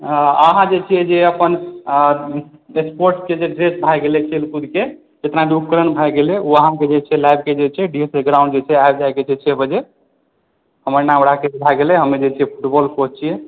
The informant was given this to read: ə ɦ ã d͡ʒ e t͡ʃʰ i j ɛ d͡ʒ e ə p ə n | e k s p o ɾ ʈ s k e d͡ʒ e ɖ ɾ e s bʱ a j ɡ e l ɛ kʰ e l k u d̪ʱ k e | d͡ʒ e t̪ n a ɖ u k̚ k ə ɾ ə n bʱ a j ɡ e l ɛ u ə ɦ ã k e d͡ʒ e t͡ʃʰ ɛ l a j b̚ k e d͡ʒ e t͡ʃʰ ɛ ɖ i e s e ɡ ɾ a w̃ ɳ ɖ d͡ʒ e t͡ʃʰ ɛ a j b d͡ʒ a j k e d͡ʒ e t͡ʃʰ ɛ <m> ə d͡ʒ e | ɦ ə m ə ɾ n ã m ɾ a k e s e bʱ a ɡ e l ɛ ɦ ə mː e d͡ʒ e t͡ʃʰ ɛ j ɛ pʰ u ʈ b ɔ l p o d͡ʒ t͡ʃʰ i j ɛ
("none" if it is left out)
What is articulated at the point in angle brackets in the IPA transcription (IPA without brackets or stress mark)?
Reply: b